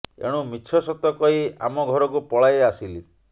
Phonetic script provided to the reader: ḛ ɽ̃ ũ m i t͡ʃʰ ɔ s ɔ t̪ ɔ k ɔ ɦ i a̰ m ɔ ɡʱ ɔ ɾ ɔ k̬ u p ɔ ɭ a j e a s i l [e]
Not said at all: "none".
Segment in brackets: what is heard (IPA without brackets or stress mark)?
i